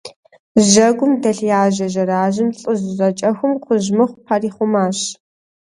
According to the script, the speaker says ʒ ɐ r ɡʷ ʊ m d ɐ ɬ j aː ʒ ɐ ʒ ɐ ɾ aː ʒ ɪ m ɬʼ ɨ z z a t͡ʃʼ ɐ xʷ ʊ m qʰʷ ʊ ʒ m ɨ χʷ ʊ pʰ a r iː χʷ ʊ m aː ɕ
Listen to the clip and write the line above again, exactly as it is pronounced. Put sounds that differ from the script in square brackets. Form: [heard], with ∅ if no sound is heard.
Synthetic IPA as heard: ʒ ɐ [∅] ɡʷ ʊ m d ɐ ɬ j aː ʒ ɐ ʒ ɐ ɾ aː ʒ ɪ m ɬʼ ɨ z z [ɐ] t͡ʃʼ ɐ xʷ ʊ m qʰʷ ʊ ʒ m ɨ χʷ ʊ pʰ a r iː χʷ ʊ m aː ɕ